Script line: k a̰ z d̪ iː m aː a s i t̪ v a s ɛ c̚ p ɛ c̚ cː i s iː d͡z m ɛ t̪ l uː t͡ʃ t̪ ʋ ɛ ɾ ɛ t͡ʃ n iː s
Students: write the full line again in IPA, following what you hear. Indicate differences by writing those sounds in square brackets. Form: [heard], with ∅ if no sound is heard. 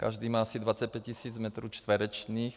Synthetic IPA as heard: k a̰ [ʒ] d̪ iː m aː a s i [d̪] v a [t͡s] ɛ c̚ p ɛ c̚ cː i s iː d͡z m ɛ t̪ [ɾ] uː t͡ʃ t̪ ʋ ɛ ɾ ɛ t͡ʃ n iː [x]